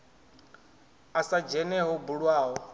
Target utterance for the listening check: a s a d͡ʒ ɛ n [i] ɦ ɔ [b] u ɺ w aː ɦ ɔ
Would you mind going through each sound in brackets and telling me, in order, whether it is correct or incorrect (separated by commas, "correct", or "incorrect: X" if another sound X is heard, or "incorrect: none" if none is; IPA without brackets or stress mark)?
incorrect: ɛ, correct